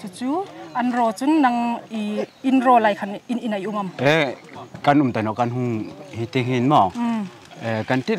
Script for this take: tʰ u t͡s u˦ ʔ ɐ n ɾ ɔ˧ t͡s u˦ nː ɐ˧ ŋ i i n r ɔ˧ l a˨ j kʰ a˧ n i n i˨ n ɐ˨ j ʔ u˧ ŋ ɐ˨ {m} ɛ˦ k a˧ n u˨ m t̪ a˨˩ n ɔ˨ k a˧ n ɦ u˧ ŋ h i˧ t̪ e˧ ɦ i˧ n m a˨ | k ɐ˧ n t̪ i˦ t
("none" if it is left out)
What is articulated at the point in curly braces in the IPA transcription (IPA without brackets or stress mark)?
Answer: m